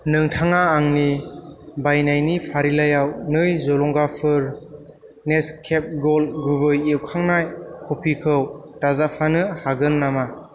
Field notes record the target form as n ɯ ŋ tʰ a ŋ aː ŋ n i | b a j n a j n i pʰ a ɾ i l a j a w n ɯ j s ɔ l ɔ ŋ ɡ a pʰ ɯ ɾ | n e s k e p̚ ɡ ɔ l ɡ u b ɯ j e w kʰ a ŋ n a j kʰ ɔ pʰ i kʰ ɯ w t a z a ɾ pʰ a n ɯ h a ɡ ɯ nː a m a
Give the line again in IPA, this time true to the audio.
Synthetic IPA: n ɯ ŋ tʰ a ŋ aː ŋ n i | b a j n a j n i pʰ a ɾ i l a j a w n ɯ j z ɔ l ɔ ŋ ɡ a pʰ ɯ ɾ | n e s kʰ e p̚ ɡ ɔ l ɡ u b ɯ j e w kʰ a ŋ n a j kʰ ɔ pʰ i kʰ ɯ w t a z a pʰ a n ɯ h a ɡ ɯ nː a m a